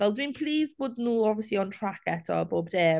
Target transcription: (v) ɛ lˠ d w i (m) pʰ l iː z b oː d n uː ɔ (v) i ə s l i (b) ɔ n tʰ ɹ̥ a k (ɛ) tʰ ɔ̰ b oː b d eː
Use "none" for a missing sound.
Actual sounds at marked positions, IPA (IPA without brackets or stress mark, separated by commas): v, n, v, none, ɛ